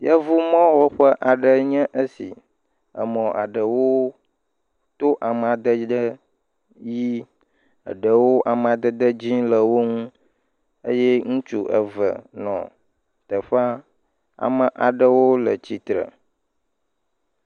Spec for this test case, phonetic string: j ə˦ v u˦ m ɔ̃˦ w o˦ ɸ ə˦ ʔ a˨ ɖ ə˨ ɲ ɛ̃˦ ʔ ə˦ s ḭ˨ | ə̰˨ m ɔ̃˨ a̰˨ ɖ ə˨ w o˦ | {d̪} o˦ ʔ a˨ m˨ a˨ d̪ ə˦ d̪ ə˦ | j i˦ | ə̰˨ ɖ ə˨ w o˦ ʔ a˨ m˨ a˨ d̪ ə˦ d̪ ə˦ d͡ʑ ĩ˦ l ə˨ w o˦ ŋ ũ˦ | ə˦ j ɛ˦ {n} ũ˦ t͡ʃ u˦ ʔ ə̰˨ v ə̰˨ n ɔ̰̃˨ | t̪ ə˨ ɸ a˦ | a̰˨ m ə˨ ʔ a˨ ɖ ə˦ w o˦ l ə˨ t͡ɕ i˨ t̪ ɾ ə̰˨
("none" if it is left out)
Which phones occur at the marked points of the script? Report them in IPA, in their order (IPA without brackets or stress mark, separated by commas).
t̪, ŋ